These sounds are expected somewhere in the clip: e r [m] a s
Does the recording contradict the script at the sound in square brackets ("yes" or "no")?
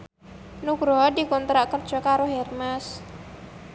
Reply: no